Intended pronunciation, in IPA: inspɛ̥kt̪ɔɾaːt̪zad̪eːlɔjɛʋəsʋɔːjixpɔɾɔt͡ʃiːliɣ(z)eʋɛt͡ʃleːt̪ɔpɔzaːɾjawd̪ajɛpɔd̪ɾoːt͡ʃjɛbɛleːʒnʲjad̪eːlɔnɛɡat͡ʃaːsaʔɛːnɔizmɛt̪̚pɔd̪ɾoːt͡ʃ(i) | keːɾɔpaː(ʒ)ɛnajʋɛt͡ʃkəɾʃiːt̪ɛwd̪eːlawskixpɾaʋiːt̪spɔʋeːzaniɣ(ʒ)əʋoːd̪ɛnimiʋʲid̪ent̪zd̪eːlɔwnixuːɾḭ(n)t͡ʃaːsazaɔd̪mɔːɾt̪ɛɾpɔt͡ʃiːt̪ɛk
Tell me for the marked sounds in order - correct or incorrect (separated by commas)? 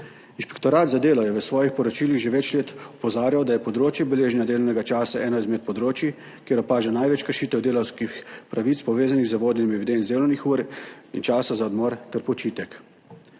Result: incorrect, correct, correct, incorrect, correct